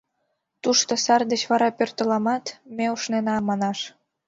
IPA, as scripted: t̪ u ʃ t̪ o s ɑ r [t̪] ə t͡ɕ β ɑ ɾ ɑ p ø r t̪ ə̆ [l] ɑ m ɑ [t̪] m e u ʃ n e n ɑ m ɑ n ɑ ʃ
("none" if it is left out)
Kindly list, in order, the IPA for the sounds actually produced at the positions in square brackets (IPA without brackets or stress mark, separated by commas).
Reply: d̪, l, t̪